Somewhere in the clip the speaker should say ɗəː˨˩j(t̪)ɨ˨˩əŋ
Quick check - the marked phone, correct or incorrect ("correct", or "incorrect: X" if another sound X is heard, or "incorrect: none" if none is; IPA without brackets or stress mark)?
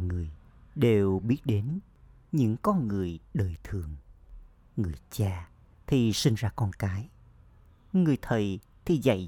incorrect: t̪ʰ